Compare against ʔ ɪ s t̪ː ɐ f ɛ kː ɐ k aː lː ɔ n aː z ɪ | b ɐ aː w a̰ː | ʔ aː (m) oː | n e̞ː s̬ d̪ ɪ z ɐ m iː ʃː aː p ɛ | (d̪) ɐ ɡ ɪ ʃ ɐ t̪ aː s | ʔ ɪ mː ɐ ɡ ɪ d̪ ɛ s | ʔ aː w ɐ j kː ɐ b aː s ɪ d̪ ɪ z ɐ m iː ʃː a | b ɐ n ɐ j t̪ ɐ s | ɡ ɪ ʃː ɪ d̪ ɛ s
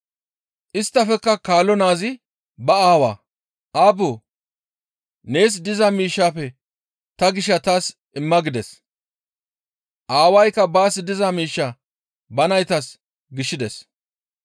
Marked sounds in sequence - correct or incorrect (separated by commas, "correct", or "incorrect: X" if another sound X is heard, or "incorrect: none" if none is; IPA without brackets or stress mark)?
incorrect: b, incorrect: t̪